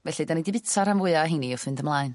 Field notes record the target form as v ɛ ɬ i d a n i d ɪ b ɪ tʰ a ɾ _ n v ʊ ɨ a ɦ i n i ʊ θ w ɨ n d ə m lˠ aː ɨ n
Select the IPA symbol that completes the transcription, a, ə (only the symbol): a